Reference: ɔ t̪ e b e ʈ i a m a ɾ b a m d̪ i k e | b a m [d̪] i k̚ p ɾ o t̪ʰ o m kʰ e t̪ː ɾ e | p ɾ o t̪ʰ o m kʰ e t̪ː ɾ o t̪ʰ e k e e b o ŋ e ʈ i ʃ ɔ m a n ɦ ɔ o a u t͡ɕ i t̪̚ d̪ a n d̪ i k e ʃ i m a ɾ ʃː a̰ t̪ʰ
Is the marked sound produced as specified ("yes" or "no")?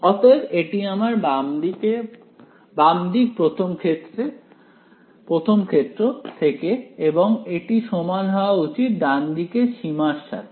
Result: yes